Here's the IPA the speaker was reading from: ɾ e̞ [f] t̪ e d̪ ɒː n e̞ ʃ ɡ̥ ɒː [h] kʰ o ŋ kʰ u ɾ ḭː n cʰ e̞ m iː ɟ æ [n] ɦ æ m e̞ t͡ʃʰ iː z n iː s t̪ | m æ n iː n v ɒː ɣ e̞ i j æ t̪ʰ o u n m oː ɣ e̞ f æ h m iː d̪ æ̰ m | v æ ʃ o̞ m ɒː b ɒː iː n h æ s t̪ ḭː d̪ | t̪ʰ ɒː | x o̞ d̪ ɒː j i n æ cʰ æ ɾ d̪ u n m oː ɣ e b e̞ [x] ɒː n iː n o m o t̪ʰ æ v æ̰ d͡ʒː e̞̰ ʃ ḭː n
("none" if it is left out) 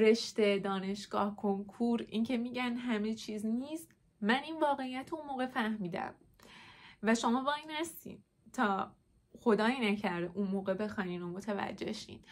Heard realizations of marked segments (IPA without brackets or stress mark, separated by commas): ʃ, h, n, x